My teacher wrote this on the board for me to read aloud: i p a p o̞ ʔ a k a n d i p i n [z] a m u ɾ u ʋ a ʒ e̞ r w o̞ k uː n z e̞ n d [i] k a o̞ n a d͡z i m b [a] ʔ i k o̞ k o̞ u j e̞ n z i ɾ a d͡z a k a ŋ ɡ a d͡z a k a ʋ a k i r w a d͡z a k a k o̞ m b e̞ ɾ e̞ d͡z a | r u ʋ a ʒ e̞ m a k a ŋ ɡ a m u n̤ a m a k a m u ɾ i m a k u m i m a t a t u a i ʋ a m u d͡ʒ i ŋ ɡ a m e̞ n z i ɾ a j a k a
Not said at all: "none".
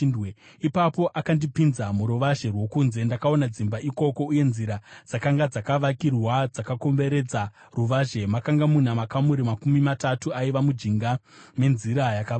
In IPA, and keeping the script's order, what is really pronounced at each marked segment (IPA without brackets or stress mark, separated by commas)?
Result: z, a, a